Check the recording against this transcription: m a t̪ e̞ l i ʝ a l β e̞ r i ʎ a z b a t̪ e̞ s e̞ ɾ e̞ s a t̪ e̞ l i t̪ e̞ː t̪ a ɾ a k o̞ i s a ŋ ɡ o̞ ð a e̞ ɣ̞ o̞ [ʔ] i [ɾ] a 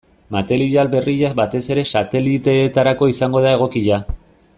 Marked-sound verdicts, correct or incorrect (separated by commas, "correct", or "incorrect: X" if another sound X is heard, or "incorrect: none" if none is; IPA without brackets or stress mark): incorrect: k, incorrect: ʎ